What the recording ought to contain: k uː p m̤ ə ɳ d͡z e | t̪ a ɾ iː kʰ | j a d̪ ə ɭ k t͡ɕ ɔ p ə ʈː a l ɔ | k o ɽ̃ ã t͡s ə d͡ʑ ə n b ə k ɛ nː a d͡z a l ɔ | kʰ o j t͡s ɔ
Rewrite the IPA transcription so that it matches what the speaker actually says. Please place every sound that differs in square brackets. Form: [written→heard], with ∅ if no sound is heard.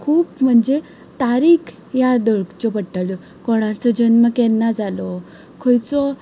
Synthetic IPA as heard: [k→kʰ] uː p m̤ ə ɳ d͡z e | t̪ a ɾ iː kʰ | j a d̪ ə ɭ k t͡ɕ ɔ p ə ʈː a l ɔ | k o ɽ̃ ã t͡s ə d͡ʑ ə n [b→m] ə k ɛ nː a d͡z a l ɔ | kʰ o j t͡s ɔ

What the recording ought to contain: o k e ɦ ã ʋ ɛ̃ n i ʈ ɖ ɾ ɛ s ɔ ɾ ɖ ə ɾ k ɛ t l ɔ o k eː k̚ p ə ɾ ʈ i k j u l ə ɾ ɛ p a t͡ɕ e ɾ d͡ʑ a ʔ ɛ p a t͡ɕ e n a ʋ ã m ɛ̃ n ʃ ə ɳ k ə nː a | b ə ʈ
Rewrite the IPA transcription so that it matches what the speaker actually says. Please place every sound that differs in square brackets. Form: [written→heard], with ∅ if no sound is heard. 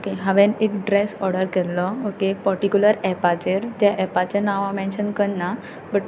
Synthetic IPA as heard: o k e ɦ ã ʋ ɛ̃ n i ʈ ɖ ɾ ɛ s ɔ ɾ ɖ ə ɾ k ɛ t l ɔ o k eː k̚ p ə ɾ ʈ i k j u l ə ɾ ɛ p a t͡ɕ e ɾ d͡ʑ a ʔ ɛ p a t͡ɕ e n a ʋ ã m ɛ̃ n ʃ ə [ɳ→n] k ə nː a | b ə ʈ

